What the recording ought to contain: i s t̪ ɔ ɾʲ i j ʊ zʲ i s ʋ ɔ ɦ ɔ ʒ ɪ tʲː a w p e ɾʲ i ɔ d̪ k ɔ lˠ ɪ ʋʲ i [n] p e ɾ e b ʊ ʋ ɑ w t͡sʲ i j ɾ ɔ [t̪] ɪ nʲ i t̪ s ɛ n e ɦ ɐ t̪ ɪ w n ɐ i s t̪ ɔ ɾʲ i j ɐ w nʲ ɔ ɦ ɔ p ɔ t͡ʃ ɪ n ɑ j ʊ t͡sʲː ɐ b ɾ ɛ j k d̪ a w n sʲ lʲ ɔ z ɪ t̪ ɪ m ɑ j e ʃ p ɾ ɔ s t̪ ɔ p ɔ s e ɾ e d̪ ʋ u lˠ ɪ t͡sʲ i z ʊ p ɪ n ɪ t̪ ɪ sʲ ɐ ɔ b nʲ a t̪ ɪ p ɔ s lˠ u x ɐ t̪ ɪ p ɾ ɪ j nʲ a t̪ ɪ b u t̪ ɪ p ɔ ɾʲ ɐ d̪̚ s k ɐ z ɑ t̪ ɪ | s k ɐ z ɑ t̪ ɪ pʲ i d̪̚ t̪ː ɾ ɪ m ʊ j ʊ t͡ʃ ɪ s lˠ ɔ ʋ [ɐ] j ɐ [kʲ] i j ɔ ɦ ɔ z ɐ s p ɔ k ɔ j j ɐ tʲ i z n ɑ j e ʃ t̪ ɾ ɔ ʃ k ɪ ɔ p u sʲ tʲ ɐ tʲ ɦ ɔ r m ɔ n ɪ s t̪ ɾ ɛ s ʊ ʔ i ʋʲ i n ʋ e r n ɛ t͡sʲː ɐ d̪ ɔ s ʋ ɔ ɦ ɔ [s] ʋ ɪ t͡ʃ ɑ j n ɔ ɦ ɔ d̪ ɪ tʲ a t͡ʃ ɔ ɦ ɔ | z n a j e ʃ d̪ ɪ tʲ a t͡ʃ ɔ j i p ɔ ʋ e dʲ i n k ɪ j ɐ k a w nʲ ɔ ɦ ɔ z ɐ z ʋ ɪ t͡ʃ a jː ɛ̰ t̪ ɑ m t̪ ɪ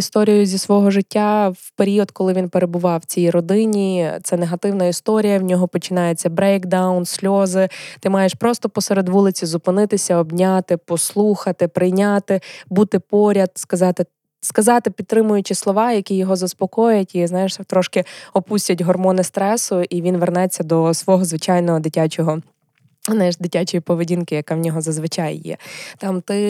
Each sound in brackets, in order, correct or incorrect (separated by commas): correct, incorrect, incorrect, correct, incorrect